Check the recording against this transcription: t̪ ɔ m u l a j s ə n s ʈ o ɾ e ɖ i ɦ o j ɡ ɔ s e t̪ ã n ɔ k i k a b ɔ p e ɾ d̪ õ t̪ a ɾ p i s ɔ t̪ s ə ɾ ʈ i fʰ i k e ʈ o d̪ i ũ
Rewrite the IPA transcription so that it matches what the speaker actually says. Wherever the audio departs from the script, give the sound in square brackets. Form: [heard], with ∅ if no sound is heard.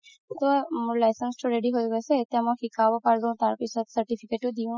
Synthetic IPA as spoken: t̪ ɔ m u l a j s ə n s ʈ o ɾ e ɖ i ɦ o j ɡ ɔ s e t̪ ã [m] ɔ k i k a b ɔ p [a] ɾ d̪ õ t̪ a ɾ p i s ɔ t̪ s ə ɾ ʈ i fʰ i k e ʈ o d̪ i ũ